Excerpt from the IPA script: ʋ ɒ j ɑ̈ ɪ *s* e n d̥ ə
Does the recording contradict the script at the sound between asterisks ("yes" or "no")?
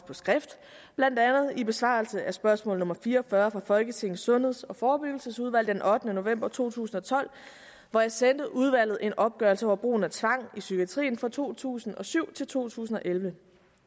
no